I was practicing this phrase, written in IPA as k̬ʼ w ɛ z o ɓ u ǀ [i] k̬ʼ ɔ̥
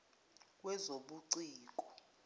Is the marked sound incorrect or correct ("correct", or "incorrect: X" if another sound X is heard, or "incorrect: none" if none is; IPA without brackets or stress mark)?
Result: incorrect: iː